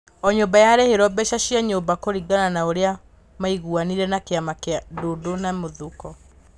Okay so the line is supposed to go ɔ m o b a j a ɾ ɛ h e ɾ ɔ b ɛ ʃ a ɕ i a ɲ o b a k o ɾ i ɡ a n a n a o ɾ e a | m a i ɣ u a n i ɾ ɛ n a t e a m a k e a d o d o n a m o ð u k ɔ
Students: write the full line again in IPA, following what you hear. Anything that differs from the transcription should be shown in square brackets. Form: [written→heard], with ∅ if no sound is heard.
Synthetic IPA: ɔ [m→ɲ] o b a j a ɾ ɛ h e ɾ ɔ b ɛ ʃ a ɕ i a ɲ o b a k o ɾ i ɡ a n a n a o ɾ e a | m a i ɣ u a n i ɾ ɛ n a [t→k] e a m a k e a d o d o n a m o ð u k ɔ